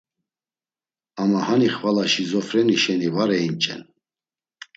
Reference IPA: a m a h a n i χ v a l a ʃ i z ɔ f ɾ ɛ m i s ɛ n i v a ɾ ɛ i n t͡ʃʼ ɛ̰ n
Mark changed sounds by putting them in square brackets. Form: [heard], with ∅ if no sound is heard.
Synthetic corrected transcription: a m a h a n i χ v a l a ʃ i z ɔ f ɾ ɛ [n] i [ʃ] ɛ n i v a ɾ ɛ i n t͡ʃʼ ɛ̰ n